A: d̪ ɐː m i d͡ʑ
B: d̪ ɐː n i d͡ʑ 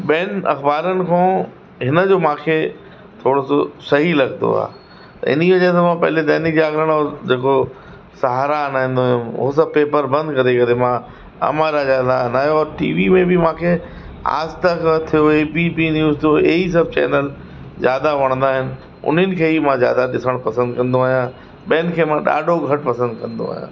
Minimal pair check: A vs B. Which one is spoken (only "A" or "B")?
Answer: B